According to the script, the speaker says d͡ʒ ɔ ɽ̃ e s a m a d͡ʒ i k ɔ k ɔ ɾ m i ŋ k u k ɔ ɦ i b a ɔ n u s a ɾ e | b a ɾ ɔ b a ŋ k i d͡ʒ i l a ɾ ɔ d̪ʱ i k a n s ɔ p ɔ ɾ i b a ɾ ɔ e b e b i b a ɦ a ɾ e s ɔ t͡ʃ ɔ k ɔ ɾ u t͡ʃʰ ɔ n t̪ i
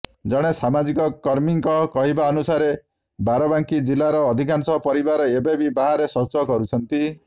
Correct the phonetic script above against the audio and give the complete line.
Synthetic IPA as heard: d͡ʒ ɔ ɽ̃ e s a m a d͡ʒ i k ɔ k ɔ ɾ m i ŋ k ɔ k ɔ ɦ i b a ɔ n u s a ɾ e | b a ɾ ɔ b a ŋ k i d͡ʒ i l a ɾ ɔː d̪ʱ i k a n s ɔ p ɔ ɾ i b a ɾ ɔ e b e b i b a ɦ a ɾ e s ɔ t͡ʃ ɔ k ɔ ɾ u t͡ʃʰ ɔ n t̪ i